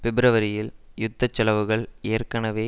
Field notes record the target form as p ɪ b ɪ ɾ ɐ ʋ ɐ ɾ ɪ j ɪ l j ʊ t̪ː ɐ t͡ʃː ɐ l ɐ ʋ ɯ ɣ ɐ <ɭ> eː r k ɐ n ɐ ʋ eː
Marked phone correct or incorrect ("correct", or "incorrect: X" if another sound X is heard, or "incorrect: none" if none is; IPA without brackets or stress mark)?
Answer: correct